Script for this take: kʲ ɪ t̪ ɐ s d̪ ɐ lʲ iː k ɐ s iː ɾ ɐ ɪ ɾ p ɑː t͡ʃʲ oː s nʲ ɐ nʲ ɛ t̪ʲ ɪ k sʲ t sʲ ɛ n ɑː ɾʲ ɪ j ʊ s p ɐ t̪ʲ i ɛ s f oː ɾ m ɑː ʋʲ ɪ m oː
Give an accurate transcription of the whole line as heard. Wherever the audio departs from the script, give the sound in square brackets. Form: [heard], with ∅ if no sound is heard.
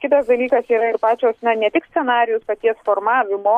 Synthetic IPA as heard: kʲ ɪ t̪ ɐ s d̪ ɐ lʲ iː k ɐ s iː ɾ ɐ ɪ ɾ p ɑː t͡ʃʲ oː s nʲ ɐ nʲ ɛ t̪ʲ ɪ k sʲ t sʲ ɛ n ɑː ɾʲ ɪ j ʊ s p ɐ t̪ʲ i ɛ s f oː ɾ m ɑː ʋʲ ɪ m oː